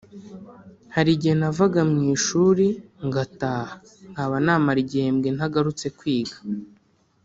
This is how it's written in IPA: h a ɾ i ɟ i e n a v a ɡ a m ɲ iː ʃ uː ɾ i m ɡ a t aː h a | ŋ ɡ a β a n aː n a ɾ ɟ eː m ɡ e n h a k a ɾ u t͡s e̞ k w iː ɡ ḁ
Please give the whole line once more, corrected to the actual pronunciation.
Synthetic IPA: h a ɾ i ɟ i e n a v a ɡ a m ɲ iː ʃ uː ɾ i ŋ ɡ a t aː h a | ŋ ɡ a β a n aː m a ɾ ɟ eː m ɡ e n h a ɡ a ɾ u t͡s e̞ k w iː ɡ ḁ